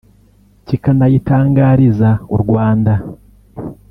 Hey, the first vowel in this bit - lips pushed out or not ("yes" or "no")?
no